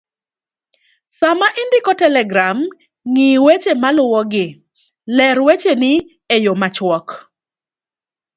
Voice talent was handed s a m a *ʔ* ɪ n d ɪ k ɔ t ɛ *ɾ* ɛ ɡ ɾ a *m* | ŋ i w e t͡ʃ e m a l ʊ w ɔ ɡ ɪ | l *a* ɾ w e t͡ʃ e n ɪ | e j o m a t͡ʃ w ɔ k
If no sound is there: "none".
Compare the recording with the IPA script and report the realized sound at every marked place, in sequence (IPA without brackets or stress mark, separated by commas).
ʔ, l, m, ɛ